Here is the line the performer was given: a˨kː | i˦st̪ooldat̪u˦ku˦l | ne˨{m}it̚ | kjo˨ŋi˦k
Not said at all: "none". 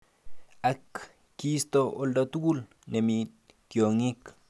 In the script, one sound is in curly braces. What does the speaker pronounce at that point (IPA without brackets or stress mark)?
m